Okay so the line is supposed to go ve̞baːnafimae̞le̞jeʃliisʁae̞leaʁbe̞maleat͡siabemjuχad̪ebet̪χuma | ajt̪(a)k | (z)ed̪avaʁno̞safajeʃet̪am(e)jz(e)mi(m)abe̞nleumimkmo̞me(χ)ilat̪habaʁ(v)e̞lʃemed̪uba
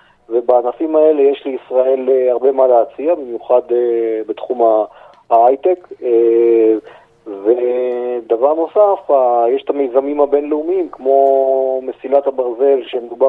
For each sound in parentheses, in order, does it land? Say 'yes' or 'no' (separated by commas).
no, no, yes, no, yes, no, no